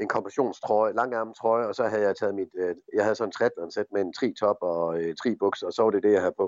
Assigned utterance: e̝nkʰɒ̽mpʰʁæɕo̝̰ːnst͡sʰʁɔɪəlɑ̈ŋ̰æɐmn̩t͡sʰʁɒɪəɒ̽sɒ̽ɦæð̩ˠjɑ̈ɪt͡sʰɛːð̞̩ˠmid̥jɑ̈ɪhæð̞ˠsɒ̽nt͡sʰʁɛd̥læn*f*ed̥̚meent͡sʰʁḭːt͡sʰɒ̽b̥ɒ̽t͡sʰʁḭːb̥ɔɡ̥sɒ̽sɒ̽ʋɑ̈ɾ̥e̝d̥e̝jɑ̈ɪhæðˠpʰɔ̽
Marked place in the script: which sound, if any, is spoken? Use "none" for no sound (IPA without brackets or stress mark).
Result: s